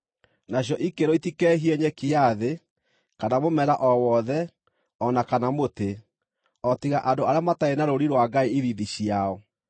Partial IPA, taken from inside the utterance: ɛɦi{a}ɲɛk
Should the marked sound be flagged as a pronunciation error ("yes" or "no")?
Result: yes